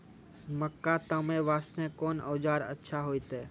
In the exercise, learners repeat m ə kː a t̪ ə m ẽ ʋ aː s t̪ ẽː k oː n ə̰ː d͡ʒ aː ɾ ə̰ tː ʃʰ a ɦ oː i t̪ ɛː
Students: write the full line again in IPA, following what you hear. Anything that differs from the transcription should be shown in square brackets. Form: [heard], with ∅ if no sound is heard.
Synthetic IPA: m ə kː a t̪ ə m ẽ ʋ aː s t̪ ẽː k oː n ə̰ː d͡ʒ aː ɾ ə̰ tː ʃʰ a ɦ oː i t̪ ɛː